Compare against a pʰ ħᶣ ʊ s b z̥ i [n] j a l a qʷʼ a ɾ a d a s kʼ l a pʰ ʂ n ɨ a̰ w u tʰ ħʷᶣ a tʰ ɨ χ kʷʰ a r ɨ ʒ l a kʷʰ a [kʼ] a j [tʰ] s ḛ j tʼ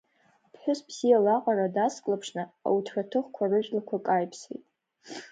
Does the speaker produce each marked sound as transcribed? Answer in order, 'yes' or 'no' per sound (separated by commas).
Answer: no, yes, no